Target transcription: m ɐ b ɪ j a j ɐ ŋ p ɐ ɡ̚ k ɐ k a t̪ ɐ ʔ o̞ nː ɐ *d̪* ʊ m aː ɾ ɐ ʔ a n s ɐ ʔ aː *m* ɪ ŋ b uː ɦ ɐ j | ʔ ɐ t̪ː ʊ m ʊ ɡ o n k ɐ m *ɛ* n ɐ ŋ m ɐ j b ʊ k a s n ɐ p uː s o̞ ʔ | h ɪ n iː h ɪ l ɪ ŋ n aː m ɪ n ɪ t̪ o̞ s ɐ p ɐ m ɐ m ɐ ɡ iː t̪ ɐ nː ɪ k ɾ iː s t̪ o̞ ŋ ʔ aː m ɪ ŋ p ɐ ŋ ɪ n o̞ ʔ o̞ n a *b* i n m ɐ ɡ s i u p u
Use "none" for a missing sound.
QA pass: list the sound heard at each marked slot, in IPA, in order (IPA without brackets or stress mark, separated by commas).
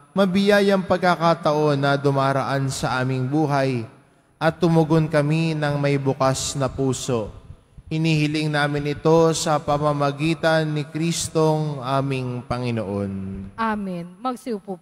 d̪, m, i, m